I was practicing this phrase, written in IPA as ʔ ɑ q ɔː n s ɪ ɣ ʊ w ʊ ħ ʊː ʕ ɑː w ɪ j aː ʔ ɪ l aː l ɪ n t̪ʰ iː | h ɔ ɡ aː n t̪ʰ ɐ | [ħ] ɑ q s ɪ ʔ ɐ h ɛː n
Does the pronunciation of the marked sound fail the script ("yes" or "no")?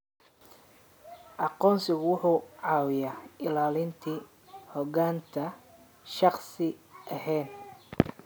yes